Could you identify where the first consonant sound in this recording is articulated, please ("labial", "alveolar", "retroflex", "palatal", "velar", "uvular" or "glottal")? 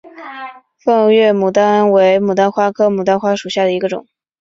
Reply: labial